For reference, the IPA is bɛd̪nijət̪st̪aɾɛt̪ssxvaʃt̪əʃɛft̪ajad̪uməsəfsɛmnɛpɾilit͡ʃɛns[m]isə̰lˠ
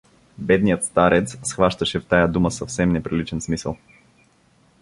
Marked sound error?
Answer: no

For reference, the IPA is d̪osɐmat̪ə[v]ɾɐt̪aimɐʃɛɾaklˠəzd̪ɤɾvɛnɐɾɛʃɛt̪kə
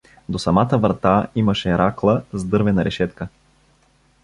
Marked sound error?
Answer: no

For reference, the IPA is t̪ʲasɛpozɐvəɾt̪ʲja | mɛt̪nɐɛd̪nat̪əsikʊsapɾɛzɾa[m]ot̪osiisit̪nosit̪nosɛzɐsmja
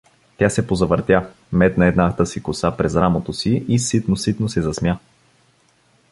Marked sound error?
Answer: no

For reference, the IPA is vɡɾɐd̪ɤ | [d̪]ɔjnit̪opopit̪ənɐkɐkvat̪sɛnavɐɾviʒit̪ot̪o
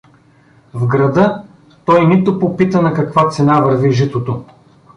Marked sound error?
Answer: yes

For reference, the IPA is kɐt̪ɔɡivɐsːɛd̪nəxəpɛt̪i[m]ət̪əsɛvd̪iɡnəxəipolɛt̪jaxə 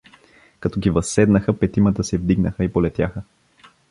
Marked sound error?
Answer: no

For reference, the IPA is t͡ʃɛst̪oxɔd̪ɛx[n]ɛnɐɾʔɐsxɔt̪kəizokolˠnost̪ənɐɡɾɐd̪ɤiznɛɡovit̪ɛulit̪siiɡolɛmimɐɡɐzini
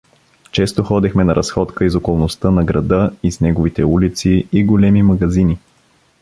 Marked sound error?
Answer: yes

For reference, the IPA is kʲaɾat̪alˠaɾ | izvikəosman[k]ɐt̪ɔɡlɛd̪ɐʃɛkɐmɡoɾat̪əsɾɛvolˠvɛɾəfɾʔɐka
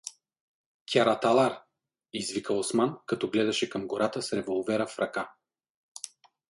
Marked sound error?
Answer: no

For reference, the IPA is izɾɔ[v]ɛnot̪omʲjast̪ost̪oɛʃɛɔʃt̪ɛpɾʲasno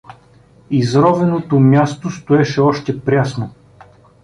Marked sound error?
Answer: no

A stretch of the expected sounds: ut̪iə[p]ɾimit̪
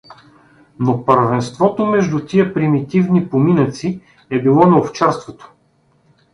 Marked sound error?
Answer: no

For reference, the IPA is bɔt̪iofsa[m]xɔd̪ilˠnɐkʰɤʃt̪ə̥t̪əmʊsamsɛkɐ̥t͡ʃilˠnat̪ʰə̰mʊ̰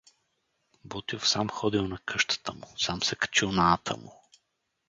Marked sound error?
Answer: no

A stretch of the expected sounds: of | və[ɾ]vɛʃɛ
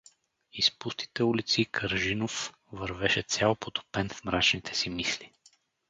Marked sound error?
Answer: no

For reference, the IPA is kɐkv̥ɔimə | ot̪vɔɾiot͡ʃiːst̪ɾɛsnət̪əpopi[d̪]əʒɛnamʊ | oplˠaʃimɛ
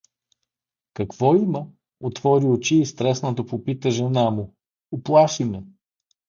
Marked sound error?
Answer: yes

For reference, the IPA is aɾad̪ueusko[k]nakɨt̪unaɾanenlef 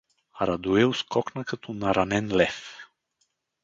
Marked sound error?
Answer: no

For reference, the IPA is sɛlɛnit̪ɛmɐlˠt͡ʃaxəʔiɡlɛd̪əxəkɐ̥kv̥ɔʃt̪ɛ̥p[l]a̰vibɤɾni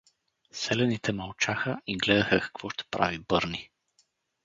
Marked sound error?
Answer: yes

